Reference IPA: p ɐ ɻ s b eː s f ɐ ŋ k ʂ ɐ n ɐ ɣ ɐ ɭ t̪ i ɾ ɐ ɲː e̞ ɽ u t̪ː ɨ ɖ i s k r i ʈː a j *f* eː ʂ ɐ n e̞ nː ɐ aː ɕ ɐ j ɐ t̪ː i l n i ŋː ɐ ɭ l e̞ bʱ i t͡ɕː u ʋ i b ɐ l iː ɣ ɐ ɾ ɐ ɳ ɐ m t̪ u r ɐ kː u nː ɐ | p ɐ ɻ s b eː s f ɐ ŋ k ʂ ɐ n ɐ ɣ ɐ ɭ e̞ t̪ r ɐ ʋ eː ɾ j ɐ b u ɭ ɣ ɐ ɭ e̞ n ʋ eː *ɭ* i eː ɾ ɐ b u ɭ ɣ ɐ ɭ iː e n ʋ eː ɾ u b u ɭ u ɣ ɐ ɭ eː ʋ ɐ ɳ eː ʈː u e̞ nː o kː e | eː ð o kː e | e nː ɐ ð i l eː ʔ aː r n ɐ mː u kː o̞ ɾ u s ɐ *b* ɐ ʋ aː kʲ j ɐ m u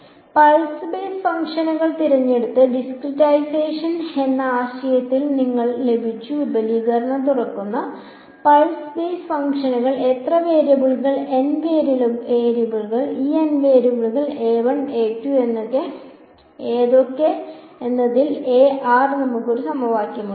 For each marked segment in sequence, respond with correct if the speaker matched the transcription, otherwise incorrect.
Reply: incorrect, incorrect, incorrect

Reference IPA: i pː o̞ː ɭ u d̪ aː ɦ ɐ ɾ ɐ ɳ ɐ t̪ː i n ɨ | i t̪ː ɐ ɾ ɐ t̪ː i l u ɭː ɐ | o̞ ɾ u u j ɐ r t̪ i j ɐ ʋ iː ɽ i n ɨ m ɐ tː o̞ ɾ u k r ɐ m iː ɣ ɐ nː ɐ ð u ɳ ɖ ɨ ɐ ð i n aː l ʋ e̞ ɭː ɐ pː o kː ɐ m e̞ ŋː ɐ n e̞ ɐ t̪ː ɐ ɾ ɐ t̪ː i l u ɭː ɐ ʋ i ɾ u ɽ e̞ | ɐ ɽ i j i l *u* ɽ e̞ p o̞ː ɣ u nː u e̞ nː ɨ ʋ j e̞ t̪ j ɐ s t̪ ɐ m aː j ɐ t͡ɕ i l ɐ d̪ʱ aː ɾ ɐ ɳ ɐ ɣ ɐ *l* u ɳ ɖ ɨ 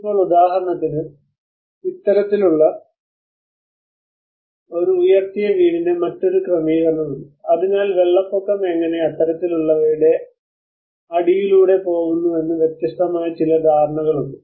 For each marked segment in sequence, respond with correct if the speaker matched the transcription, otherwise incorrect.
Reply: incorrect, incorrect

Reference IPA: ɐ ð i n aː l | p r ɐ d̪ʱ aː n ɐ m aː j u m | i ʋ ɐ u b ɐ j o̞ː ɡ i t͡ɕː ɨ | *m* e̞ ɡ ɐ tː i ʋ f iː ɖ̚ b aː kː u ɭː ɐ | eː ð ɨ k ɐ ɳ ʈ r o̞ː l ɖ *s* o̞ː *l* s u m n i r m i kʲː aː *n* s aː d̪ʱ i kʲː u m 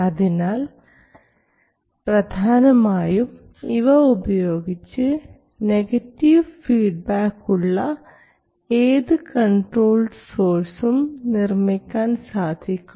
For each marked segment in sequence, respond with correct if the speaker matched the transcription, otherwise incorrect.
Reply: incorrect, correct, incorrect, correct

